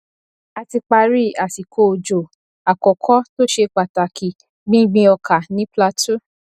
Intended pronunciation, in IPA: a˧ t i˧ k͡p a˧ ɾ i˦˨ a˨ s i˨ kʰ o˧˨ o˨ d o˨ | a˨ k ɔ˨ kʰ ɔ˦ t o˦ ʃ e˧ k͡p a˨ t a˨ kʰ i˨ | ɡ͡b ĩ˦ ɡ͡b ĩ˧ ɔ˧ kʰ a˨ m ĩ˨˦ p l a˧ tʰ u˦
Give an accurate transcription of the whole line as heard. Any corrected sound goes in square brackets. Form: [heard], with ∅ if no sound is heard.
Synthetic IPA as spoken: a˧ t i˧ k͡p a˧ ɾ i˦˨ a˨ s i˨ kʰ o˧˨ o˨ [d͡ʒ] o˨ | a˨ k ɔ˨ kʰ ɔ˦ t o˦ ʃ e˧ k͡p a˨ t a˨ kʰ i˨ | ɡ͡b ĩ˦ ɡ͡b ĩ˧ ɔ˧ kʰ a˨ [n] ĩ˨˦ p l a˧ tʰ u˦